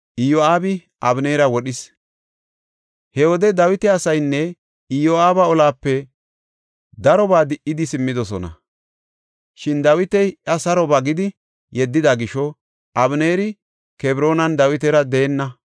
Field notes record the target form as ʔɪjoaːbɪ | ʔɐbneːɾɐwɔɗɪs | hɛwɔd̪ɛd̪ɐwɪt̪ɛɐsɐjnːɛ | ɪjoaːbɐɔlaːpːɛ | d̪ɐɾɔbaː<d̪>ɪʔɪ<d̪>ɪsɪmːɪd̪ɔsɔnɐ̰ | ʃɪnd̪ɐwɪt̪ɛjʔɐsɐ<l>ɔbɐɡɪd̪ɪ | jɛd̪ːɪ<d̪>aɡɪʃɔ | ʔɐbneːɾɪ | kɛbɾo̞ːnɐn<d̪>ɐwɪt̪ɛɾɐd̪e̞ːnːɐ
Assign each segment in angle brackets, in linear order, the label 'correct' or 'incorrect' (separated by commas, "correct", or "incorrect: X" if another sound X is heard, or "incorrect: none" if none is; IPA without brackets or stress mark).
correct, correct, incorrect: ɾ, correct, correct